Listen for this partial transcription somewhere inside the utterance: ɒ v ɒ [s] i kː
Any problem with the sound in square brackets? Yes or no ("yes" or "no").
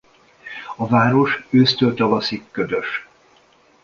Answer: no